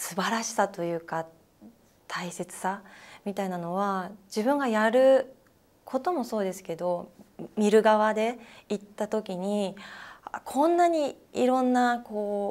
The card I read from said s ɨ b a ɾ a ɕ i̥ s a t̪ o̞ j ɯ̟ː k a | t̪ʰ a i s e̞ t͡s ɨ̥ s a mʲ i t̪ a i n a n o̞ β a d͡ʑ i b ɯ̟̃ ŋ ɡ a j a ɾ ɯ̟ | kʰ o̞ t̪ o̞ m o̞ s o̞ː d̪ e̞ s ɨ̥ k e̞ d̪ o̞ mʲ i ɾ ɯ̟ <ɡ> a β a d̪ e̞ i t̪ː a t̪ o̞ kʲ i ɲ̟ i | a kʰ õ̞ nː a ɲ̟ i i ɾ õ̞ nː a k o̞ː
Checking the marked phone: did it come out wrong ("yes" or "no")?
no